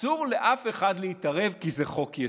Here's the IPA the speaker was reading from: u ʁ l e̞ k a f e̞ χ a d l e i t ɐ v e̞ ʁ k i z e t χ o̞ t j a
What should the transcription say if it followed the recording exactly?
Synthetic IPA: u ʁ l e̞ ʔ a f e̞ χ a d l e i t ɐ ʁ e̞ v k i z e χ o̞ k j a